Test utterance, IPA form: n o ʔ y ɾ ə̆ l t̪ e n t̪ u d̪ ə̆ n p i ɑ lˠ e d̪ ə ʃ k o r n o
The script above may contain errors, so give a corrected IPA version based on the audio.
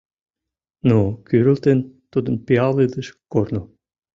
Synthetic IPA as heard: n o k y ɾ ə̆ l t̪ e n t̪ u d̪ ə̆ n p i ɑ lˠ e d̪ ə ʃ k o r n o